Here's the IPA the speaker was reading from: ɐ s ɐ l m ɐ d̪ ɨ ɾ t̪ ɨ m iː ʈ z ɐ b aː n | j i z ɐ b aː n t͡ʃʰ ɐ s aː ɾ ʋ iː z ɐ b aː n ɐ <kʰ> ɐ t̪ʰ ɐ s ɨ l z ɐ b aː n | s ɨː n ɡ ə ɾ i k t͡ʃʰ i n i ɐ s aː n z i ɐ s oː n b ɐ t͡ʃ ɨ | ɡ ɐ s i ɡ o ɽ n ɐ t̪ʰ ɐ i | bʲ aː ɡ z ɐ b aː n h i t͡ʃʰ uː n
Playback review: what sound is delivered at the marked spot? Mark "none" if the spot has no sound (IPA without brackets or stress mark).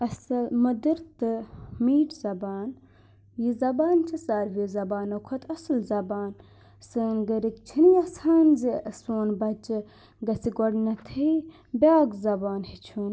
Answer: kʰ